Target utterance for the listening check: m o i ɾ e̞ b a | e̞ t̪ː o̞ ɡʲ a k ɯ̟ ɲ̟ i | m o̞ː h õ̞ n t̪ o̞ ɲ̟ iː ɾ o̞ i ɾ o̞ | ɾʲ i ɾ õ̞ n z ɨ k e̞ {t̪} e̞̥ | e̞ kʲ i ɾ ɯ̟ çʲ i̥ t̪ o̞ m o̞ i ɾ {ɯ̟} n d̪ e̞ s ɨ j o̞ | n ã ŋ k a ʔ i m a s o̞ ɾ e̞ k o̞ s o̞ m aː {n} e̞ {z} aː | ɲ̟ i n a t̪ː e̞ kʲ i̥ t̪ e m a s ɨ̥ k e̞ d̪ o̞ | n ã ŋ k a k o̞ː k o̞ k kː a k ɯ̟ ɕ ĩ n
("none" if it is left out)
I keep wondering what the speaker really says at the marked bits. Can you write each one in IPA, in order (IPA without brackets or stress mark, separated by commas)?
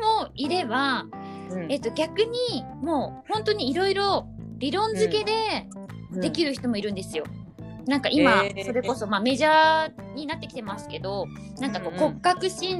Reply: d̪, ɯ̟̃, m, ʑ